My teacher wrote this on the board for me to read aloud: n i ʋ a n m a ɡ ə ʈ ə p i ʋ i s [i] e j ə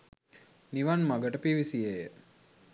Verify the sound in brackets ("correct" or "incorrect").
correct